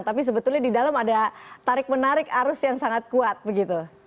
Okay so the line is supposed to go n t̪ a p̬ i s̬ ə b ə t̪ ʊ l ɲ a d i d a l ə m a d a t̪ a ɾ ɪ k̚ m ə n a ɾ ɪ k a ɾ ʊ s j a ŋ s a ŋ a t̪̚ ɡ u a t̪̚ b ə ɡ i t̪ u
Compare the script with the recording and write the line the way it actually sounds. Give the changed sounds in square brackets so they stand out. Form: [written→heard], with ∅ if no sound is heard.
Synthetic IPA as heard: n t̪ a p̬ i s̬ ə b ə t̪ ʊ l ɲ a d i d a l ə m a d a t̪ a ɾ ɪ k̚ m ə n a ɾ ɪ k a ɾ ʊ s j a ŋ s a ŋ a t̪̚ [ɡ→k] u a t̪̚ b ə ɡ i t̪ u